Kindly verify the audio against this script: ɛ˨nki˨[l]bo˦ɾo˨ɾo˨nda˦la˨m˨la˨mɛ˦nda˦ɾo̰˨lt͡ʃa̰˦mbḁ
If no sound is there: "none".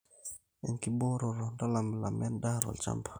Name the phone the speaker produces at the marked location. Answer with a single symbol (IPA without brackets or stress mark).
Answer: none